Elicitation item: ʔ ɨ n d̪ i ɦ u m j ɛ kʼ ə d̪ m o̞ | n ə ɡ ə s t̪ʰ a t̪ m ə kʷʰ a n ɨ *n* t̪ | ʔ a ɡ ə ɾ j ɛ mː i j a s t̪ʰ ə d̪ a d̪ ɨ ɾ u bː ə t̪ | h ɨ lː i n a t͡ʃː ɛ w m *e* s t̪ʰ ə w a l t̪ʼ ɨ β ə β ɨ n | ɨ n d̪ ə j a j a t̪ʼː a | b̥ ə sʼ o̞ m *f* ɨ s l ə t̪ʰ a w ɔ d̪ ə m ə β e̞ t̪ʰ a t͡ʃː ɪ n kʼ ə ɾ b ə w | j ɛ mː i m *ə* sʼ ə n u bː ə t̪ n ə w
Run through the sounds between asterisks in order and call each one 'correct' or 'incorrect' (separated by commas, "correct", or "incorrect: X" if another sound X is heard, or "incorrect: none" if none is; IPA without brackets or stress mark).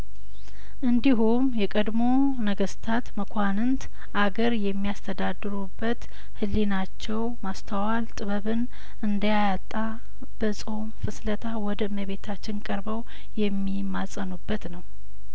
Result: correct, incorrect: a, correct, incorrect: a